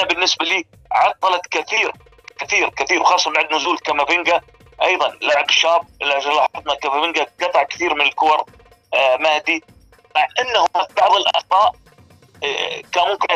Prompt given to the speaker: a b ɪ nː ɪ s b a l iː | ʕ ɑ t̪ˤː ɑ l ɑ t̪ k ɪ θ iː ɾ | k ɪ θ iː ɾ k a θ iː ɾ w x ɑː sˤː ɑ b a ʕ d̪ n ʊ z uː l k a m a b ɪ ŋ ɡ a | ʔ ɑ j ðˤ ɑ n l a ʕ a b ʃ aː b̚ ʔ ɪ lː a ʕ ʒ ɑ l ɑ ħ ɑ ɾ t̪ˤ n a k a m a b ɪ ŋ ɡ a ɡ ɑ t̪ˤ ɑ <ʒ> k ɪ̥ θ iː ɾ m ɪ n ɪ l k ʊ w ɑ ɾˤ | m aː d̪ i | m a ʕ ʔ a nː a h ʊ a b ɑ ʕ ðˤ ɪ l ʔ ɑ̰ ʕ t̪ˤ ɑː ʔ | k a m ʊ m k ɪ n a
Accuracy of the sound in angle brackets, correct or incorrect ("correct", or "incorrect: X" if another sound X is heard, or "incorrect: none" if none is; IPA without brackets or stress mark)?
incorrect: ʕ